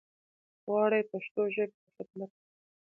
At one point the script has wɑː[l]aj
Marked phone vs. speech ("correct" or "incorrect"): incorrect